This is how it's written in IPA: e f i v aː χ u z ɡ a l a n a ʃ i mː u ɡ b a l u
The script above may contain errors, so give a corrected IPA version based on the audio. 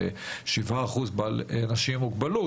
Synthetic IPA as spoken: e ʃ i v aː χ u z b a l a n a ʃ i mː u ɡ b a l u